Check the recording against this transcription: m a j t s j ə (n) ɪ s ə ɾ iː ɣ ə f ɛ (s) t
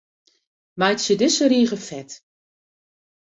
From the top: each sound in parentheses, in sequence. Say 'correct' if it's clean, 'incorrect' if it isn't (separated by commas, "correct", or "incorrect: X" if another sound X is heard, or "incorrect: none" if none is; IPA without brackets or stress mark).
incorrect: d, incorrect: none